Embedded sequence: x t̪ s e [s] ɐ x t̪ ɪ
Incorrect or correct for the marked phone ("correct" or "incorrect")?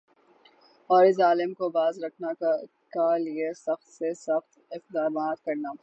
correct